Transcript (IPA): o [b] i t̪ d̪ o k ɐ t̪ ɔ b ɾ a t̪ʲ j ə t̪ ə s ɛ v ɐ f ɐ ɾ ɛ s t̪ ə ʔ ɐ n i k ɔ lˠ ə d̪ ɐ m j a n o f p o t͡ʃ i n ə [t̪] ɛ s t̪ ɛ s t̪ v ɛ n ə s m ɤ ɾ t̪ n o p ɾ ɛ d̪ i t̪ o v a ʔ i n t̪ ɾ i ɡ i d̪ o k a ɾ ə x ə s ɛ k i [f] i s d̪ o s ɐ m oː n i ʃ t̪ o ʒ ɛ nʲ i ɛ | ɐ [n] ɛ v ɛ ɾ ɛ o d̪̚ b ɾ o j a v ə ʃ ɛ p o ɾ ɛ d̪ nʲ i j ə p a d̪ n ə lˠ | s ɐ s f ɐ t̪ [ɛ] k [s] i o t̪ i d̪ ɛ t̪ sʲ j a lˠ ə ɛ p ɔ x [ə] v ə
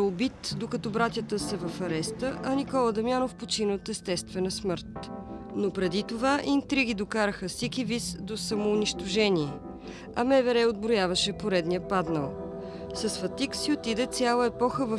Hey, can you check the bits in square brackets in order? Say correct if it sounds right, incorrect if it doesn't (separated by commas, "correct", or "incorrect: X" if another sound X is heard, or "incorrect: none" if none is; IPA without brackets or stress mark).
correct, correct, incorrect: v, incorrect: m, incorrect: i, correct, correct